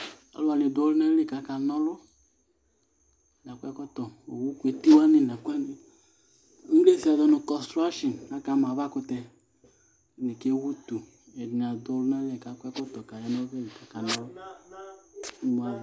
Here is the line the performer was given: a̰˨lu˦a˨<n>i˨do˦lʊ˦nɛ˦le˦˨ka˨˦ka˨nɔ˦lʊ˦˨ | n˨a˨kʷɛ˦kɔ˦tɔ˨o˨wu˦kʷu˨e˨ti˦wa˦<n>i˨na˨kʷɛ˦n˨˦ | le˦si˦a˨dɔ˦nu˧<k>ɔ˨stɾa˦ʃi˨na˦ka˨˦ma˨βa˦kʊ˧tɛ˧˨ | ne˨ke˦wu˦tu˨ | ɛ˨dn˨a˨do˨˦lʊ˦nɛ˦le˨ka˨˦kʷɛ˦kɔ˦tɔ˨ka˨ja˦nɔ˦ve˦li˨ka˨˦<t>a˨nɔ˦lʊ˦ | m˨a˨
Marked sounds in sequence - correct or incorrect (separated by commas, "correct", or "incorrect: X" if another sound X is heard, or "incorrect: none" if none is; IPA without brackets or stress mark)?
correct, correct, correct, incorrect: k